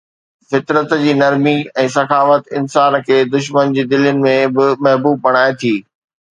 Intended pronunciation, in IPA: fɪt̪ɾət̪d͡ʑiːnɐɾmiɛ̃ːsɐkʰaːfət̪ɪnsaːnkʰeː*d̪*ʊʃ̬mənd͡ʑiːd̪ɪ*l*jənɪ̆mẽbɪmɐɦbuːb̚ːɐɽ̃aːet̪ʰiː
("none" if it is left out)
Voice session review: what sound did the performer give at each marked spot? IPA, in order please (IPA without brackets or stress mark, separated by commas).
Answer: d̪, l